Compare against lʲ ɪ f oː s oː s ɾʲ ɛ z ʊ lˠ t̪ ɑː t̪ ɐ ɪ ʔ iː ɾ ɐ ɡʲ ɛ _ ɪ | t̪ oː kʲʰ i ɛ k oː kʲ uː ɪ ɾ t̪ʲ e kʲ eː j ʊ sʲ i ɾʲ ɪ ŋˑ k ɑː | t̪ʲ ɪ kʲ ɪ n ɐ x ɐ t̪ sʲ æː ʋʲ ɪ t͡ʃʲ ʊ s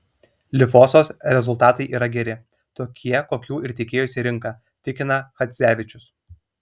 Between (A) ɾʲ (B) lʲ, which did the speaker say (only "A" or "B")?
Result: A